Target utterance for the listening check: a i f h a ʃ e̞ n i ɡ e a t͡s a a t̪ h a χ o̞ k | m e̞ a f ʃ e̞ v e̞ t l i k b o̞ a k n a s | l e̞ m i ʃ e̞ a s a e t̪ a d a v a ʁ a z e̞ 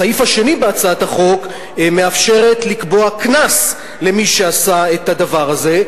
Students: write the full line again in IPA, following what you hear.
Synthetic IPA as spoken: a i f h a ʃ e̞ n i b e a t͡s a a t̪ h a χ o̞ k | m e̞ a f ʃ e̞ ʁ e̞ t l i k b o̞ a k n a s | l e̞ m i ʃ e̞ a s a e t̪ a d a v a ʁ a z e̞